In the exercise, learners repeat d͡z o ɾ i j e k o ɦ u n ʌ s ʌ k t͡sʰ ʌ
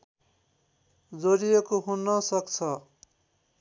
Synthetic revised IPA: d͡z o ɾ i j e k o ɦ u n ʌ s ʌ k t͡sʰ ʌ